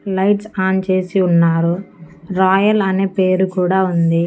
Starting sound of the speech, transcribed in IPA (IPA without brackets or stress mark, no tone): l